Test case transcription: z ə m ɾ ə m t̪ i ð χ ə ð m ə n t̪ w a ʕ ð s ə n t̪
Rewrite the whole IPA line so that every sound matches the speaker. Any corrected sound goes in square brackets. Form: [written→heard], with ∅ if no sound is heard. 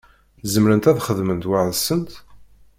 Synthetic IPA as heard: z ə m ɾ ə [m→n] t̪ [i→æ] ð χ ə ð m ə n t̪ w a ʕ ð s ə n t̪